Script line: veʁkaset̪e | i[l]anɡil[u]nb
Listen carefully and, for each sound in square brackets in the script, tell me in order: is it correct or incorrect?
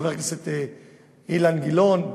correct, incorrect: o

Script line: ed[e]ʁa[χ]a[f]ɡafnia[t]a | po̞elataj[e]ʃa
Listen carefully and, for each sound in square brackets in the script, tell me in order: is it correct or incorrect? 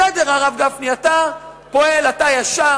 correct, incorrect: ʁ, incorrect: v, correct, incorrect: a

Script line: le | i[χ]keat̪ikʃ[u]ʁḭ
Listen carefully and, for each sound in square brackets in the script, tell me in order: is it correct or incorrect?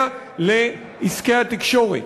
incorrect: s, incorrect: o

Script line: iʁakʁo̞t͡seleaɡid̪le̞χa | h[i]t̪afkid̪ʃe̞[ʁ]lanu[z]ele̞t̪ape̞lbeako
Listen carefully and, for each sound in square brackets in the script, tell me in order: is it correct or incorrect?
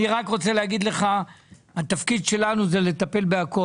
incorrect: a, incorrect: none, correct

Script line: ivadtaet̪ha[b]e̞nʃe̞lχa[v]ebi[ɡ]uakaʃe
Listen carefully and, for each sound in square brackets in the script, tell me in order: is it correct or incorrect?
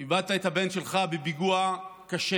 correct, incorrect: b, correct

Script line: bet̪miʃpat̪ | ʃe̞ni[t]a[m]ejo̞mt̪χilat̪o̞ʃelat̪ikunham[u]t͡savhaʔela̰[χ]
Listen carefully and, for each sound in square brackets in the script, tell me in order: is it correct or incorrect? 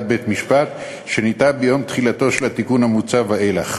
correct, incorrect: b, correct, correct

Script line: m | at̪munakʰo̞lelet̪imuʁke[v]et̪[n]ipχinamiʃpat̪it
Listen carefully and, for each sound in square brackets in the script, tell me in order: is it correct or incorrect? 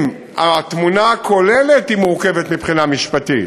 correct, incorrect: m

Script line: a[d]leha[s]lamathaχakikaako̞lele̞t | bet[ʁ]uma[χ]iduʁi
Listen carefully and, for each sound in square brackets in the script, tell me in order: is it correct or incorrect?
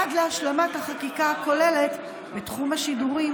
correct, incorrect: ʃ, incorrect: χ, incorrect: ʃ

